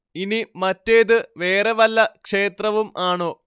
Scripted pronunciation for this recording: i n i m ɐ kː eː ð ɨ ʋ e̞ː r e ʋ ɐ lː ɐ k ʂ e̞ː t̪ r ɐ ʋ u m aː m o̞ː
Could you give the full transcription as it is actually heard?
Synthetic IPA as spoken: i n i m ɐ tː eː ð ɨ ʋ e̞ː r e ʋ ɐ lː ɐ k ʂ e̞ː t̪ r ɐ ʋ u m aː ɳ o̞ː